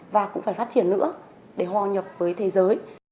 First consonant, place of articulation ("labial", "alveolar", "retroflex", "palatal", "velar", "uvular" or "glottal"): labial